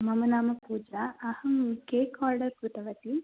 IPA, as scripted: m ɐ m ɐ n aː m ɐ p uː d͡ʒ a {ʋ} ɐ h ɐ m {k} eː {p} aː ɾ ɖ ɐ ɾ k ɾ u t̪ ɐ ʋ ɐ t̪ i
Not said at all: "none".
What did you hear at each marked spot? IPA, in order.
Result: none, k, k

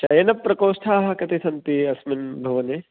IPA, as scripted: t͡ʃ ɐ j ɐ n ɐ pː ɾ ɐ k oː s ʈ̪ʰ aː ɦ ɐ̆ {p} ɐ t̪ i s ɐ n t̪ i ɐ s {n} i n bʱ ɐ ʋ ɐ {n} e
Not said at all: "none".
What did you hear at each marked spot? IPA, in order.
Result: k, m, n

